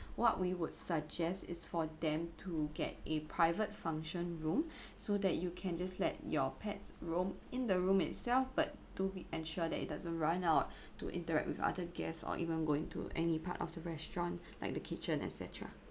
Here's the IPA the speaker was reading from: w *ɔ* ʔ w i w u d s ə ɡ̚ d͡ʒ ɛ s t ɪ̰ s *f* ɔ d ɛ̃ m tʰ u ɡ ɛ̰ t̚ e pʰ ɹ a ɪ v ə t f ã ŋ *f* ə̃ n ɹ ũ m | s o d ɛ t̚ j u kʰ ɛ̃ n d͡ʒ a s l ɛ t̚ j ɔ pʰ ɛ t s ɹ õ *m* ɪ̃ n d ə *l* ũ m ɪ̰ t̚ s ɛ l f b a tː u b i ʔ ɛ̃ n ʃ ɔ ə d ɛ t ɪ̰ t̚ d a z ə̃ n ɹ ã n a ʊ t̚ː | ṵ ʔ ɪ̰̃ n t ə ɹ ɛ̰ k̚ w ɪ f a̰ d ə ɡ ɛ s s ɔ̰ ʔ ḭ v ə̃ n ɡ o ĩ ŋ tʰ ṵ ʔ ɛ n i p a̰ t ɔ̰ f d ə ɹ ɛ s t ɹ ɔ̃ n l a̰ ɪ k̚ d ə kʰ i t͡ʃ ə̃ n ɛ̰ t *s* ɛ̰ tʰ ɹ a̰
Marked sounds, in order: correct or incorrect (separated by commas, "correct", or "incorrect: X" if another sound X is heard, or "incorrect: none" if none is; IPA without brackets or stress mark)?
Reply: correct, correct, incorrect: ʃ, correct, incorrect: ɹ, correct